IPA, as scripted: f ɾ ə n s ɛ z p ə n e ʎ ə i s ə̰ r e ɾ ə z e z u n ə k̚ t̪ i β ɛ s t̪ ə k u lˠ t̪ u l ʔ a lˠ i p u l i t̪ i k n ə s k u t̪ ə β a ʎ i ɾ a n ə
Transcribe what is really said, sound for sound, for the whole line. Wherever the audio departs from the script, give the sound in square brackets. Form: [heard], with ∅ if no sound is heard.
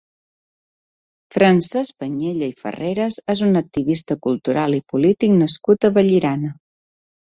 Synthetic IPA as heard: f ɾ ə n s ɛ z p ə [ɲ] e ʎ ə i [f] ə̰ r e ɾ ə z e z u n ə k̚ t̪ i β [i] s t̪ ə k u lˠ t̪ u [ɾ] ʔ a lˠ i p u l i t̪ i k n ə s k u t̪ ə β [ə] ʎ i ɾ a n ə